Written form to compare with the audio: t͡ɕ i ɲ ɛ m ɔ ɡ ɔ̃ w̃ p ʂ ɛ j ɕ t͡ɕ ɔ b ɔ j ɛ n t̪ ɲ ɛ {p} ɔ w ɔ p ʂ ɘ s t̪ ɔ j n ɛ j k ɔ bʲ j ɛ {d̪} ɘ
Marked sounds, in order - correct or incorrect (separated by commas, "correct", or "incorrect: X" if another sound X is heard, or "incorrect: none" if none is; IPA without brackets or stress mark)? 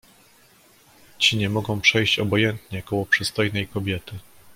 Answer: incorrect: k, incorrect: t̪